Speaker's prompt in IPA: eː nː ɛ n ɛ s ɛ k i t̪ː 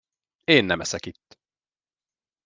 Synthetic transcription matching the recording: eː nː ɛ m ɛ s ɛ k i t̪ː